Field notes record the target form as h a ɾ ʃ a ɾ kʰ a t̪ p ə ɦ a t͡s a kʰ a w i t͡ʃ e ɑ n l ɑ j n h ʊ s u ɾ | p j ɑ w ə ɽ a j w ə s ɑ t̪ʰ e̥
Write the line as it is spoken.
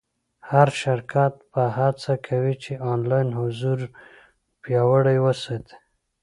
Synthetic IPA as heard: h a ɾ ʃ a ɾ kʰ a t̪ p ə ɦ a t͡s a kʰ a w i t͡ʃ e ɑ n l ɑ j n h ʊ z u ɾ | p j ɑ w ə ɽ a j w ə s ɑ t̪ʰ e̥